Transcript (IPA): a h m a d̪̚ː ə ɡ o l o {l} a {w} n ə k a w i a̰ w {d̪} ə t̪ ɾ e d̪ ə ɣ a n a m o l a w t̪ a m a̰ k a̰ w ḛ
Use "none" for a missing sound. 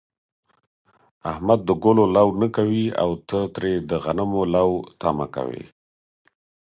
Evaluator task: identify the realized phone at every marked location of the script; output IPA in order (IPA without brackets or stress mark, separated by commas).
l, w, t̪